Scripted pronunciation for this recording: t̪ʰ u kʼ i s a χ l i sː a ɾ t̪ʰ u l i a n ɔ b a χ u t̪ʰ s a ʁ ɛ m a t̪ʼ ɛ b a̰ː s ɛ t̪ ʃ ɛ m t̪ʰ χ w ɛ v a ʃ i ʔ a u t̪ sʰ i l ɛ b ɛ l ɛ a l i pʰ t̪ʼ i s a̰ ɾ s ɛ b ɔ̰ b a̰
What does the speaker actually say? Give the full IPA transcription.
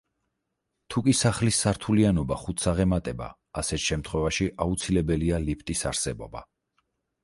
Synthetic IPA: t̪ʰ u kʼ i s a χ l i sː a ɾ t̪ʰ u l i a n ɔ b a χ u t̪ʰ s a ʁ ɛ m a t̪ʼ ɛ b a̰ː s ɛ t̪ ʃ ɛ m t̪ʰ χ w ɛ v a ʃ i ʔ a u t̪ sʰ i l ɛ b ɛ l i a l i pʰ t̪ʼ i s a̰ ɾ s ɛ b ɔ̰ b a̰